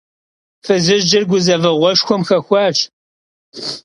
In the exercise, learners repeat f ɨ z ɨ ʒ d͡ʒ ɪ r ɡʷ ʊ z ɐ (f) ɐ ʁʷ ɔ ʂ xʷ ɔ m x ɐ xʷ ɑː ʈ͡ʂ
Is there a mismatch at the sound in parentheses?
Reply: yes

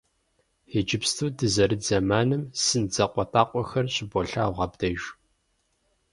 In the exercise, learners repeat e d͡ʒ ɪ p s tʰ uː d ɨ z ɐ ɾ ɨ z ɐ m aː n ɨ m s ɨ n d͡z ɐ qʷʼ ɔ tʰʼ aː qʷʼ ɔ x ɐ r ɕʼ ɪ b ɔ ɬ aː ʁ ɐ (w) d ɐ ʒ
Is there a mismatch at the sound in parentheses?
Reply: yes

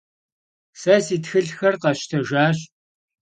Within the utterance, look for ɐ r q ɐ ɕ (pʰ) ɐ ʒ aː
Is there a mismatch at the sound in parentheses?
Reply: yes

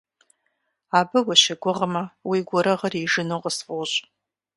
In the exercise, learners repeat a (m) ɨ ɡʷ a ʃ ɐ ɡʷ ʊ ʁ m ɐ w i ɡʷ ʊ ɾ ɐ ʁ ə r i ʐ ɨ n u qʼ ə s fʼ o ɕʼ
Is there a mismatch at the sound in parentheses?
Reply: yes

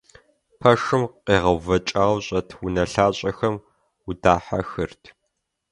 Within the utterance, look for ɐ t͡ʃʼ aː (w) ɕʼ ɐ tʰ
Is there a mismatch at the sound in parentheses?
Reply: no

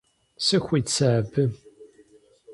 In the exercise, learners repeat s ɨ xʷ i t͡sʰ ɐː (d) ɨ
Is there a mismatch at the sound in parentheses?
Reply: yes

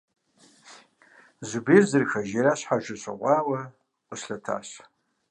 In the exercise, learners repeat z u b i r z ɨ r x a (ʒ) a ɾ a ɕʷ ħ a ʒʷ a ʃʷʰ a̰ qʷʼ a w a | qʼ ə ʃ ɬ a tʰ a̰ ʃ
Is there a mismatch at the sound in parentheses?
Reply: no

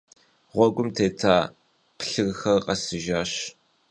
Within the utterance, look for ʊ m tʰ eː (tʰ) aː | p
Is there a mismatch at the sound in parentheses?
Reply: no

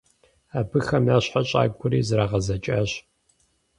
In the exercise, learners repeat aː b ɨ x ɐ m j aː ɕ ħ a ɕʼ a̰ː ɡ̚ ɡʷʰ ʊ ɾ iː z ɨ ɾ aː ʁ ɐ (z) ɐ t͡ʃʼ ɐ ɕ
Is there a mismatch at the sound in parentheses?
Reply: no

